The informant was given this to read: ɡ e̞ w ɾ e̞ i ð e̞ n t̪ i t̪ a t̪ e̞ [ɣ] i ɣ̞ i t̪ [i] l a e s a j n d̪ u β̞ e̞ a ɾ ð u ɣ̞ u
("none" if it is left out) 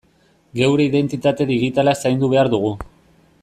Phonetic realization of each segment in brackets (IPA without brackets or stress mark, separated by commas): ð, a